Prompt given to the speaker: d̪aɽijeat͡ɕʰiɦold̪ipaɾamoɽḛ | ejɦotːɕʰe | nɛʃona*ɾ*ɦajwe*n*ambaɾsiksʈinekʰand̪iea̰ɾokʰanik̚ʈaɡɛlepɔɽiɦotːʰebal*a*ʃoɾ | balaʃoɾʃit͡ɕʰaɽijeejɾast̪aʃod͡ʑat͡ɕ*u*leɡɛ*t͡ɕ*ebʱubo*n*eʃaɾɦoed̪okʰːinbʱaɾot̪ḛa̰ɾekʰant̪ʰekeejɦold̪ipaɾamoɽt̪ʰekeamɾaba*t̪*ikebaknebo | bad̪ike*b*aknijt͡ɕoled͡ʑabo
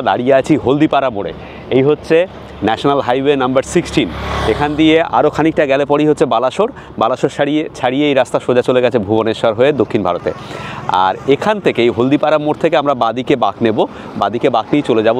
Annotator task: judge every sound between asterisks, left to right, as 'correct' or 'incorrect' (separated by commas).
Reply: incorrect, correct, correct, incorrect, incorrect, correct, incorrect, correct